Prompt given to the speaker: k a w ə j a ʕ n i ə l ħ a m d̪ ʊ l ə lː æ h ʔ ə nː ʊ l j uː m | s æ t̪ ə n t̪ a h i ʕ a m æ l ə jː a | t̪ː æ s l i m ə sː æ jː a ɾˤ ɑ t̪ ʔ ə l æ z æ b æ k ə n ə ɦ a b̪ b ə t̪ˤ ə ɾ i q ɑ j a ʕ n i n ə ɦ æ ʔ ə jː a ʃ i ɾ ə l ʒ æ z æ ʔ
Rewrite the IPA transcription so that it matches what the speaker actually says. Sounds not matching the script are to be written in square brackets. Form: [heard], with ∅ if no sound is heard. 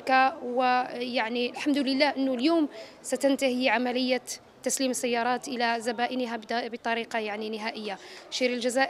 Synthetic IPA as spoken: k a w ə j a ʕ n i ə l ħ a m d̪ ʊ l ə lː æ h ʔ ə nː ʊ l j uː m | s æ t̪ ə n t̪ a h i ʕ a m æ l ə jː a | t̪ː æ s l i m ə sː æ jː [ɑ] ɾˤ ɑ t̪ ʔ ə l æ z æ b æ [ʔ] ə n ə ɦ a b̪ b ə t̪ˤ [ɑ] ɾ i q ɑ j a ʕ n i n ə ɦ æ ʔ ə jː a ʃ i ɾ ə l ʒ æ z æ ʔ